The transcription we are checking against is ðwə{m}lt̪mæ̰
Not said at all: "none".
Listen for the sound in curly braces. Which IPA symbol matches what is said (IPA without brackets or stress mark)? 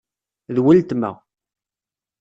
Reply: none